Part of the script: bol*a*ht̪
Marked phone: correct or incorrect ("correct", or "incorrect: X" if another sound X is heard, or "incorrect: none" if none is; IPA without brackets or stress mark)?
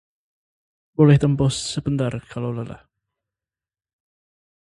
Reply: incorrect: ɛ